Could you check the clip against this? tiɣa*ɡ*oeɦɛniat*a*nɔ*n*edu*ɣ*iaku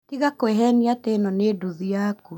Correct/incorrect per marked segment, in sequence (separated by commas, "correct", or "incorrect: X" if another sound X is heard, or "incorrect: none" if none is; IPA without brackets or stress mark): incorrect: k, incorrect: e, correct, incorrect: ð